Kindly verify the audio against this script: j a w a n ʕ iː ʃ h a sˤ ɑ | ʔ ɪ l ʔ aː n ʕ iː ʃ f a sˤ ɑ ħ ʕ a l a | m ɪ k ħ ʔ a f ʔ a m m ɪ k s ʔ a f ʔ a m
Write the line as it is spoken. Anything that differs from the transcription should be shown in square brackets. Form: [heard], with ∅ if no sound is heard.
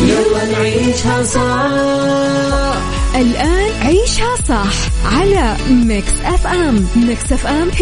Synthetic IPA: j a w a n ʕ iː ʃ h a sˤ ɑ | ʔ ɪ l ʔ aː n ʕ iː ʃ [h] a sˤ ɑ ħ ʕ a l a | m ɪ k [s] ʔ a f ʔ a m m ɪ k s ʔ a f ʔ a m